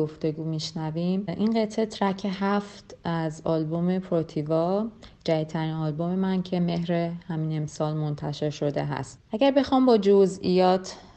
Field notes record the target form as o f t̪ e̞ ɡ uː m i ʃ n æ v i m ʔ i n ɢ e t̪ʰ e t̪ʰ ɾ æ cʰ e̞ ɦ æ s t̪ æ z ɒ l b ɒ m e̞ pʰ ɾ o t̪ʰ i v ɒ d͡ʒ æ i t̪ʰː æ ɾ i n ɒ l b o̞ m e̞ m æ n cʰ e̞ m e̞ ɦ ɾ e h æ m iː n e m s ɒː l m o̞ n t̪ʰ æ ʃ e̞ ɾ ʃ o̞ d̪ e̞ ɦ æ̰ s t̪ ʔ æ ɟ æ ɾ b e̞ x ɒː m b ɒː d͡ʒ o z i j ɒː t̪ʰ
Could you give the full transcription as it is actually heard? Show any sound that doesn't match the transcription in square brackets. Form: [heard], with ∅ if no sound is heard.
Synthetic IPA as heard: o f t̪ e̞ ɡ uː m i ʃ n æ v i m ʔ i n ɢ e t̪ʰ e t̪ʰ ɾ æ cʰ e̞ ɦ æ [f] t̪ æ z ɒ l b [o] m e̞ pʰ ɾ o t̪ʰ i v ɒ d͡ʒ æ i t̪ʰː æ ɾ i n ɒ l b o̞ m e̞ m æ n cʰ e̞ m e̞ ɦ ɾ e h æ m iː n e m s ɒː l m o̞ n t̪ʰ æ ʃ e̞ ɾ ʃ o̞ d̪ e̞ ɦ æ̰ s t̪ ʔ æ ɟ æ ɾ b e̞ x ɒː m b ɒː d͡ʒ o z i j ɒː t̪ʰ